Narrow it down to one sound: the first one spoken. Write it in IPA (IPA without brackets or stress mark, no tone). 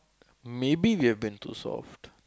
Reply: m